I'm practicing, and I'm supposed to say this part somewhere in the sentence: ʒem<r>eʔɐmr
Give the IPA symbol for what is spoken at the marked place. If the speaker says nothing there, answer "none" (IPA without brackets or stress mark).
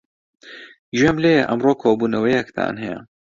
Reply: l